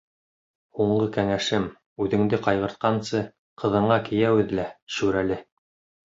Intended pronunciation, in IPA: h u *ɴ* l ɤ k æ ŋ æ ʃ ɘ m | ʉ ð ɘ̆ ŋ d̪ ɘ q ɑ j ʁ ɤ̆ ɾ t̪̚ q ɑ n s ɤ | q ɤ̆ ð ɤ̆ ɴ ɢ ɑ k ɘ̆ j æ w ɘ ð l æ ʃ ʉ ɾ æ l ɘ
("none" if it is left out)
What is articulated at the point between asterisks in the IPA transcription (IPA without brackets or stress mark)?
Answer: ɴ